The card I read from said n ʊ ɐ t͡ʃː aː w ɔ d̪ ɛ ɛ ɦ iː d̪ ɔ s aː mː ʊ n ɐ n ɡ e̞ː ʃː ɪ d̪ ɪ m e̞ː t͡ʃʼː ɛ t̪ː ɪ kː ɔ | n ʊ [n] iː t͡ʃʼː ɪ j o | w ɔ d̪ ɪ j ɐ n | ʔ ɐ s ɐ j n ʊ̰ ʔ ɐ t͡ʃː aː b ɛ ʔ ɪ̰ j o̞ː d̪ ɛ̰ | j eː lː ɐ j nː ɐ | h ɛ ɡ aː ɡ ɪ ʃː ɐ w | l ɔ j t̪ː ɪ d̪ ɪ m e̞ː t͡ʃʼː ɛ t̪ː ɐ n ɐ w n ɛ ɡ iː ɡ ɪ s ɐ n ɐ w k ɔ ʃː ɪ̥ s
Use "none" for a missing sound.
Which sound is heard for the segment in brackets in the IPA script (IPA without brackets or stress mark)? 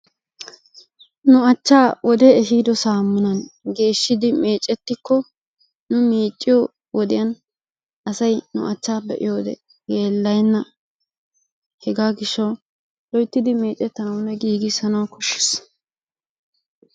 m